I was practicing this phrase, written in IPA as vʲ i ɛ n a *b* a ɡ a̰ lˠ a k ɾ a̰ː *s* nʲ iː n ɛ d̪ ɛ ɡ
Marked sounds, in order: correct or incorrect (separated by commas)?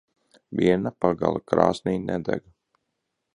incorrect, correct